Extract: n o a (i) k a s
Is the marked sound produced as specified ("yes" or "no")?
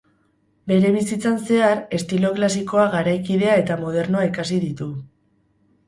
yes